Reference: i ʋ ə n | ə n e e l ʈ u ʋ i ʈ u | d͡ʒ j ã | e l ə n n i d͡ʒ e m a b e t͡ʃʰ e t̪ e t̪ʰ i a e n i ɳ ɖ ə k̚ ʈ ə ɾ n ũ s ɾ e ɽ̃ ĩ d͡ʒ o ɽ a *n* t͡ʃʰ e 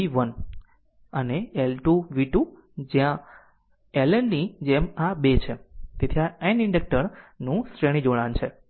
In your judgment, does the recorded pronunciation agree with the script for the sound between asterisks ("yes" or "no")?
yes